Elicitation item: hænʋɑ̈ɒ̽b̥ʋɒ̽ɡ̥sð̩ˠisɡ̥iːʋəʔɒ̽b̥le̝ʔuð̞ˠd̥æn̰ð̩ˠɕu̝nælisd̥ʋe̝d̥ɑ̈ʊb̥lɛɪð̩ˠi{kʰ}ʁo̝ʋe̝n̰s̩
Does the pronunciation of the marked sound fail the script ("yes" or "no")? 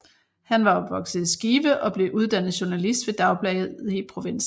yes